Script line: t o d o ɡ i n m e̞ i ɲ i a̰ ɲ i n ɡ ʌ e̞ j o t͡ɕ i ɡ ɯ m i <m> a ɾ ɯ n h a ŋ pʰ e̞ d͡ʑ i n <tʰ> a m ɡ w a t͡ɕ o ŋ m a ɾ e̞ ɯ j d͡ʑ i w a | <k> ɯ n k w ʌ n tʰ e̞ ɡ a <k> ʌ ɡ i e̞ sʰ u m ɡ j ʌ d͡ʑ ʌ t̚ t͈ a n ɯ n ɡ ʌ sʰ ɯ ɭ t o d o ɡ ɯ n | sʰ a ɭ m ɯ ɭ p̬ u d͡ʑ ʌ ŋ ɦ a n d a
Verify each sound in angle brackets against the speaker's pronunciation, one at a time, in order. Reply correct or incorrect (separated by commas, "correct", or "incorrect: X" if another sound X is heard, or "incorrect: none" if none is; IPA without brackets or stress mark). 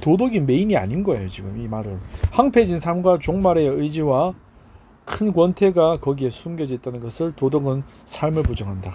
correct, incorrect: sʰ, incorrect: kʰ, correct